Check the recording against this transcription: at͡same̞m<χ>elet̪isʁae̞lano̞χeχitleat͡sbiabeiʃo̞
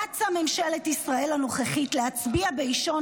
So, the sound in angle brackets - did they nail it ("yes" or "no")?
no